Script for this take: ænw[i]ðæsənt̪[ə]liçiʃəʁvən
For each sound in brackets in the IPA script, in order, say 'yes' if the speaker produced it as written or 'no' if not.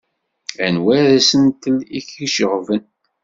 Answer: no, yes

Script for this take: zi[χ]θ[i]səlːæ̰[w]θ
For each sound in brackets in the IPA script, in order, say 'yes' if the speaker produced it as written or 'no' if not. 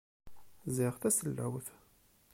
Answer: no, no, yes

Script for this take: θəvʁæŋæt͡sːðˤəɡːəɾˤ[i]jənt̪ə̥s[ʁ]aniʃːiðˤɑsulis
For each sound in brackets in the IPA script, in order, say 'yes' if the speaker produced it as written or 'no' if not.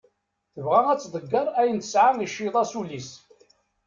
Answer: no, no

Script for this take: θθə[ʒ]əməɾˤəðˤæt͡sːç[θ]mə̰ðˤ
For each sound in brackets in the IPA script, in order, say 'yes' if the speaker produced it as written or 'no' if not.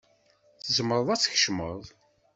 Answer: no, no

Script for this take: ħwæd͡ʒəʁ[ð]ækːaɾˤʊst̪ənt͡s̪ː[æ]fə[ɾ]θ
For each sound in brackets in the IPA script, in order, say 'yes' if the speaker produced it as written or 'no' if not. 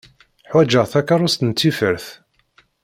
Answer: no, no, yes

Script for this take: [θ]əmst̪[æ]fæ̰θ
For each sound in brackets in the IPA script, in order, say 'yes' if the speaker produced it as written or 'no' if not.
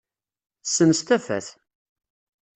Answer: no, yes

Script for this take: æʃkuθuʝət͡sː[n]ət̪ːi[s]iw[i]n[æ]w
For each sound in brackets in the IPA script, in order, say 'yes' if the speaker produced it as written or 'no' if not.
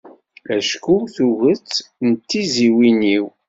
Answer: yes, no, yes, no

